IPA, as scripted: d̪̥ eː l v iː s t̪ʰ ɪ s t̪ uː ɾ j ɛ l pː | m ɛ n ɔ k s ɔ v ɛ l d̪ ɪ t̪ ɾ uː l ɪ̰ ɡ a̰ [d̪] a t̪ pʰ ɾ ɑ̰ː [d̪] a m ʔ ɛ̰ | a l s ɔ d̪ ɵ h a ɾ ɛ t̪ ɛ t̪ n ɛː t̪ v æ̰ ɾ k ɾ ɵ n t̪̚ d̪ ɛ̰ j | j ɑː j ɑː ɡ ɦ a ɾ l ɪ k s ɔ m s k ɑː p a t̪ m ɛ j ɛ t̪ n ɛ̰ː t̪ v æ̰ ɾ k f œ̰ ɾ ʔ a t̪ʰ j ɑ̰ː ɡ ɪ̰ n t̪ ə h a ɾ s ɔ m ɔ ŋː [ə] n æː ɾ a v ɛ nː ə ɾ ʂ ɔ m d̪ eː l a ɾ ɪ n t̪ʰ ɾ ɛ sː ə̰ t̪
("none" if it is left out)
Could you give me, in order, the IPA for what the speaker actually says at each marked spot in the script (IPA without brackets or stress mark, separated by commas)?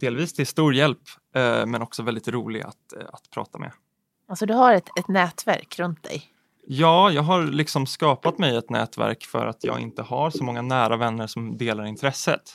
t̪, t̪, a